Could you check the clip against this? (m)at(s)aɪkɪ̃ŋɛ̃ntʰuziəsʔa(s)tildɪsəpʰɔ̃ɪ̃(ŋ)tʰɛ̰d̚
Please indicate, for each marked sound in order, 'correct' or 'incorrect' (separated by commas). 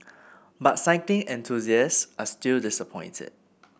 incorrect, correct, correct, incorrect